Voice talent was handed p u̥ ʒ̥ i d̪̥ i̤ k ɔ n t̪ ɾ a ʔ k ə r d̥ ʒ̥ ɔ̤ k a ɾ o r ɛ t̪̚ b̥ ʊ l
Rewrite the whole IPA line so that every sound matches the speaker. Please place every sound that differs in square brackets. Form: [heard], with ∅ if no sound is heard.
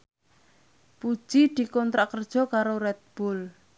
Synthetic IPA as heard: p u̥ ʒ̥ i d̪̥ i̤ k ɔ n t̪ ɾ a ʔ k ə r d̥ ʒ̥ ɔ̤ k a ɾ o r ɛ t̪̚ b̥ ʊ l